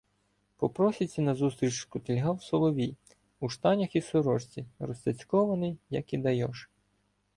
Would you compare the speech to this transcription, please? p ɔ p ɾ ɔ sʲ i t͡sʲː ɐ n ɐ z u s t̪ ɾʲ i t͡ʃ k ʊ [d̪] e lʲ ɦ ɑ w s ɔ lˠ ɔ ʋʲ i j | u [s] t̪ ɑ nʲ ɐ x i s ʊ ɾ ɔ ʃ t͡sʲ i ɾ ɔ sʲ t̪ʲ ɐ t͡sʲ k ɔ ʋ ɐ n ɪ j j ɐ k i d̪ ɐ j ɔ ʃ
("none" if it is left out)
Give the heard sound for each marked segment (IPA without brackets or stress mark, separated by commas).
t̪, ʃ